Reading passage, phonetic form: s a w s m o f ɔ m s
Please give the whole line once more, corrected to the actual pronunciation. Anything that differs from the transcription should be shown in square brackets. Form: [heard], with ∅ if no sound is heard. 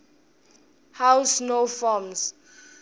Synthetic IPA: [h] a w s [n] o f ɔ m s